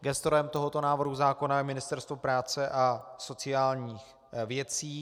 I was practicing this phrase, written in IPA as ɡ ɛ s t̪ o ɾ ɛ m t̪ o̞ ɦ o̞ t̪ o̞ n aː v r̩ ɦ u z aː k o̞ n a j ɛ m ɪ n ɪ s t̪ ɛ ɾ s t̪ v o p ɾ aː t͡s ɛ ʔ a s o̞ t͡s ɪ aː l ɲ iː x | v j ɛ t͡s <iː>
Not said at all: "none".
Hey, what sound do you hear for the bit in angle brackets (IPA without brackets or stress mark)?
iː